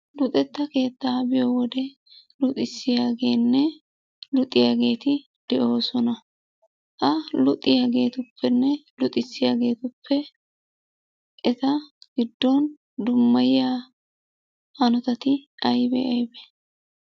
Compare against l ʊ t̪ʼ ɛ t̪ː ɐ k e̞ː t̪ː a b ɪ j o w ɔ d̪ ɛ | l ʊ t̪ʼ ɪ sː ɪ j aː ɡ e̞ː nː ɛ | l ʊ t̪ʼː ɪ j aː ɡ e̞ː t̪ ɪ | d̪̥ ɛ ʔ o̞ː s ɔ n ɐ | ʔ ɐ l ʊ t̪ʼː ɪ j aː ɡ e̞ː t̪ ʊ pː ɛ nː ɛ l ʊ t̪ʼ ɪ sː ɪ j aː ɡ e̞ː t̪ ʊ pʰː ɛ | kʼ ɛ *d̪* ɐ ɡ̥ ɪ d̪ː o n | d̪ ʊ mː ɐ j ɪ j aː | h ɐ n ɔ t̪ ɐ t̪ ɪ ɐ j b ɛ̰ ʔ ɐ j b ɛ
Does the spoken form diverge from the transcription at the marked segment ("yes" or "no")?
yes